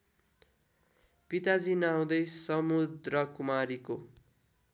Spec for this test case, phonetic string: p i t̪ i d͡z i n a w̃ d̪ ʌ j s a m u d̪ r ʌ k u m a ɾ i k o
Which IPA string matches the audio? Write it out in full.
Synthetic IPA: p i t̪ a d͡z i n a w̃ d̪ ʌ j s ʌ m u d̪ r ʌ k u m a ɾ i k o